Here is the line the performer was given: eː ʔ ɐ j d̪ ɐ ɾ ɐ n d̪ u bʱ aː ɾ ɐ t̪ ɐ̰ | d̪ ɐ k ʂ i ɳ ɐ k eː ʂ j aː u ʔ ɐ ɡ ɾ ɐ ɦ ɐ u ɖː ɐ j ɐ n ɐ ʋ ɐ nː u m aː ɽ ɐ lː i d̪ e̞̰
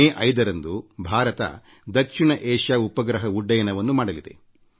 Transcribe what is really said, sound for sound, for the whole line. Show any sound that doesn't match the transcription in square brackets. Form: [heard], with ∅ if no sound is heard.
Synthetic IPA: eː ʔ ɐ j d̪ ɐ ɾ ɐ n d̪ u bʱ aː ɾ ɐ t̪ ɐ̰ | d̪ ɐ k ʂ i ɳ ɐ [ʔ] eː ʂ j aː u [p] ɐ ɡ ɾ ɐ ɦ ɐ u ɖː ɐ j ɐ n ɐ ʋ ɐ nː u m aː ɽ ɐ [l] i d̪ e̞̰